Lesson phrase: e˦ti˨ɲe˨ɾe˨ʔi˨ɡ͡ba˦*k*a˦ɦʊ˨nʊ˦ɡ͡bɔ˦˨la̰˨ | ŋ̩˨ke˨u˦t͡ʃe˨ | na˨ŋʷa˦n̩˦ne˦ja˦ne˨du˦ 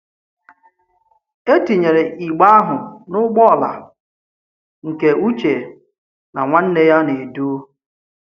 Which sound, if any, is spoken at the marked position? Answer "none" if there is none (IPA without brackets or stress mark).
none